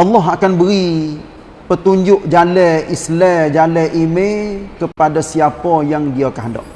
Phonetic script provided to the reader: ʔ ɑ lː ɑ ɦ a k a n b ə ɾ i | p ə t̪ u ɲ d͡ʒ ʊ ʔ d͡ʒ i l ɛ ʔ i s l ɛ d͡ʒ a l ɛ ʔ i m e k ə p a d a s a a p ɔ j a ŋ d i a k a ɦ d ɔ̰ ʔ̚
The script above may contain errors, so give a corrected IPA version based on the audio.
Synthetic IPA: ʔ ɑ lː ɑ ɦ a k a n b ə ɾ i | p ə t̪ u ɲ d͡ʒ ʊ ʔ d͡ʒ a l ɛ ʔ i s l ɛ d͡ʒ a l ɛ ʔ i m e k ə p a d a s i a p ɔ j a ŋ d i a k a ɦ d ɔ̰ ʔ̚